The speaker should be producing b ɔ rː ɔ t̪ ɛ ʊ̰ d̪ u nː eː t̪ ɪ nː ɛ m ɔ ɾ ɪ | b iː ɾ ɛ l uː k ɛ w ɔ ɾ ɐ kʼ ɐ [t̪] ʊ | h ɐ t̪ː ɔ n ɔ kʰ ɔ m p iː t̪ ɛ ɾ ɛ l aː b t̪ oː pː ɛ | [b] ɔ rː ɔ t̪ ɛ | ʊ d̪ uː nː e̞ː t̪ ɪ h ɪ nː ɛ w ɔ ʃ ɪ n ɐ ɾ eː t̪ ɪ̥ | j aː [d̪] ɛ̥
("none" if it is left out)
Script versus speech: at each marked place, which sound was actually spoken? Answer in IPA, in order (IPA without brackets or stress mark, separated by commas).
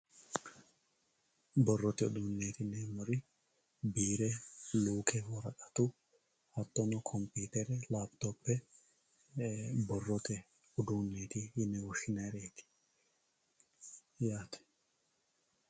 t̪, b, t̪